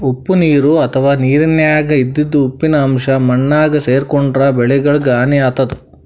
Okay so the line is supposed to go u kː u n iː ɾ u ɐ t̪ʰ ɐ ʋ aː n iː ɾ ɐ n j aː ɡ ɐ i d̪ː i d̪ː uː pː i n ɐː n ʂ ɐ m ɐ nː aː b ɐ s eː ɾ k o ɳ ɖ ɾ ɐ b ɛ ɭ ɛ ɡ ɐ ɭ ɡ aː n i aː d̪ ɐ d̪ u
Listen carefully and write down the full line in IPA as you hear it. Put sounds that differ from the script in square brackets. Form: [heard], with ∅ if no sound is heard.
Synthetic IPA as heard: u [pː] u n iː ɾ u ɐ t̪ʰ ɐ ʋ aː n iː ɾ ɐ n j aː ɡ ɐ i d̪ː i d̪ː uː pː i n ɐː [m] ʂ ɐ m ɐ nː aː [ɡ] ɐ s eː ɾ k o ɳ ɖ ɾ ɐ b ɛ ɭ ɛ ɡ ɐ ɭ ɡ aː n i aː [t̪] ɐ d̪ u